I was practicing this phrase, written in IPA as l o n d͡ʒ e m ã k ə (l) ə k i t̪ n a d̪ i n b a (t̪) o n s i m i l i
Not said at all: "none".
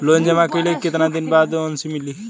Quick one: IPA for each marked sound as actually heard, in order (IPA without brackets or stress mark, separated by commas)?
l, d̪